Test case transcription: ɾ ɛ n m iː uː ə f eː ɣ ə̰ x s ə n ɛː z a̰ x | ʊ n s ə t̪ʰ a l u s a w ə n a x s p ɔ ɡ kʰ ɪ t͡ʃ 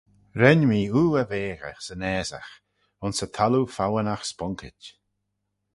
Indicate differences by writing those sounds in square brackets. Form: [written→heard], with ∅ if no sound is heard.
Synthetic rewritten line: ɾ ɛ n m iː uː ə [f→v] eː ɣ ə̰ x s ə n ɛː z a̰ x | ʊ n s ə t̪ʰ a l u [s→f] a w ə n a x s p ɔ [ɡ→ŋ] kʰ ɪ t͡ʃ